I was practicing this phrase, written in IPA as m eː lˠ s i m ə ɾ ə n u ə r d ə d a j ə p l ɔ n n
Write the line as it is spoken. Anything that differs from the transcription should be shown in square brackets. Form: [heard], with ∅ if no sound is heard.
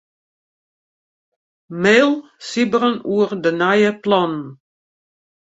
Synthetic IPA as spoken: m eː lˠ s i [b] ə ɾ ə n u ə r d ə [n] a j ə p l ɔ n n